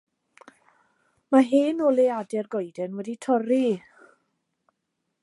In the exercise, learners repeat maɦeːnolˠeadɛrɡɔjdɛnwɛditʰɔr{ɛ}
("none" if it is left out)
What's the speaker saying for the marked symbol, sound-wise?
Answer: i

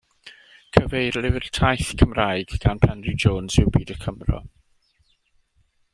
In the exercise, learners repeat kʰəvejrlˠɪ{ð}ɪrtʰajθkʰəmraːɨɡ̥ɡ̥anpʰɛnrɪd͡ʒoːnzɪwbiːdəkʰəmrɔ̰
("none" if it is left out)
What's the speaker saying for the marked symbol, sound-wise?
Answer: v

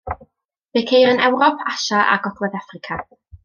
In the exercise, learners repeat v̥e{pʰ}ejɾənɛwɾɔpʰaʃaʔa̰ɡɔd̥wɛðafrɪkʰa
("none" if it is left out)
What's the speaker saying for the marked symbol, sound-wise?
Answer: kʰ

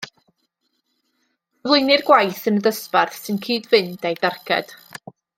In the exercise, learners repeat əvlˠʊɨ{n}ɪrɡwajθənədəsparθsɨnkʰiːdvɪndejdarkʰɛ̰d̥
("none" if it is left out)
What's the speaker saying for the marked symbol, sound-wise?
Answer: n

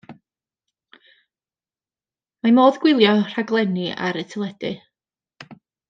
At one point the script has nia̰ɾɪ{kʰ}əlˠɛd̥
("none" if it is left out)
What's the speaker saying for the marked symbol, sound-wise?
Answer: tʰ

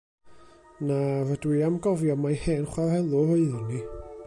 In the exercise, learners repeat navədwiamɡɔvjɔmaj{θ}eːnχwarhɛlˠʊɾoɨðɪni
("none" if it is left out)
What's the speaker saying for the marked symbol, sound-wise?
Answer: h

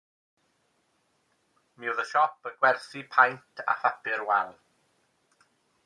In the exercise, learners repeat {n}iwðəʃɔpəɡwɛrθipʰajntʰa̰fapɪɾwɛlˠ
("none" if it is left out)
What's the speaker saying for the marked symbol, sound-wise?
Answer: m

